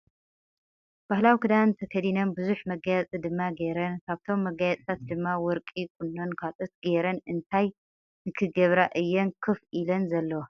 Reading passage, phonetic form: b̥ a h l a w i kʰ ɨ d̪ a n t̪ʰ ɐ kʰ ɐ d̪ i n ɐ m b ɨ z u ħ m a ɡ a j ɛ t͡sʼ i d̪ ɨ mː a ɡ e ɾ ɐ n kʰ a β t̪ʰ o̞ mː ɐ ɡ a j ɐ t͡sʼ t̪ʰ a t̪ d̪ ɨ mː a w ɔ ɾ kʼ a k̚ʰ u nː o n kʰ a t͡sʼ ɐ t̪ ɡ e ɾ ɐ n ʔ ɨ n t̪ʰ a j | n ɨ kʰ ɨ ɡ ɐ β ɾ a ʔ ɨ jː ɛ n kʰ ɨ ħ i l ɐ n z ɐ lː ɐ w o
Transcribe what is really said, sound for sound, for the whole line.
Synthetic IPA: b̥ a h l a w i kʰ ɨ d̪ a n t̪ʰ ɐ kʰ ɐ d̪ i n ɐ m b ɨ z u ħ m ɐ ɡ a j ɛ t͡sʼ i d̪ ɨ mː a ɡ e ɾ ɐ n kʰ a β t̪ʰ o̞ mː ɐ ɡ a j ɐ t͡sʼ t̪ʰ a t̪ d̪ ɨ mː a w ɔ ɾ kʼ i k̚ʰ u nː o n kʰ a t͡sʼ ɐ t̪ ɡ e ɾ ɐ n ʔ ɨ n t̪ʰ a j | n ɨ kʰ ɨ ɡ ɐ β ɾ a ʔ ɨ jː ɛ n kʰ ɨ f i l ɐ n z ɐ lː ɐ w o